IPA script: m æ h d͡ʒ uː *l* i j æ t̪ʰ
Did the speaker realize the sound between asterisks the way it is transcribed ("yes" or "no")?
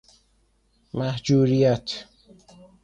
no